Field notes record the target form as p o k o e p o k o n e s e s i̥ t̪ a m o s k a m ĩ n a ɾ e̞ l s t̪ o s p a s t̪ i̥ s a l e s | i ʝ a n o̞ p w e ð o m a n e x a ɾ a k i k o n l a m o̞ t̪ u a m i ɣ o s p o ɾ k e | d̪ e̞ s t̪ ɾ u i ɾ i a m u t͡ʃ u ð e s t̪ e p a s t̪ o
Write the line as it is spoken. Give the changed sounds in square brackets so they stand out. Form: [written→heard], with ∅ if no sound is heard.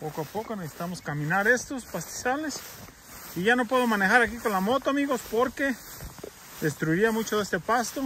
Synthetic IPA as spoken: p o k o [e→a] p o k o n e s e s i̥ t̪ a m o s k a m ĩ n a ɾ e̞ [l→∅] s t̪ o s p a s t̪ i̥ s a l e s | i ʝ a n o̞ p w e ð o m a n e x a ɾ a k i k o n l a m o̞ t̪ [u→o] a m i ɣ o s p o ɾ k e | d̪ e̞ s t̪ ɾ u i ɾ i a m u t͡ʃ [u→o] ð e s t̪ e p a s t̪ o